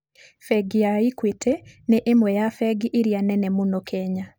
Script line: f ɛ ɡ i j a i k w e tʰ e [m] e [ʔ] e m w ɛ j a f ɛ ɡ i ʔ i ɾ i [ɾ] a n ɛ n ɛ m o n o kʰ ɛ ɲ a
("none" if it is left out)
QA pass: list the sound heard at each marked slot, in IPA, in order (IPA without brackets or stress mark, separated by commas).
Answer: n, ʔ, none